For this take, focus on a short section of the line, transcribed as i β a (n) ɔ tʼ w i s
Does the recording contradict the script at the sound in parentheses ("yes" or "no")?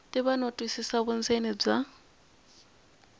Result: no